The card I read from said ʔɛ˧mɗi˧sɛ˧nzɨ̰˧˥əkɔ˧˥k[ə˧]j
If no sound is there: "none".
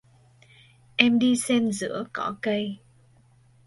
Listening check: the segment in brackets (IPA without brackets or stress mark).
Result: ə˧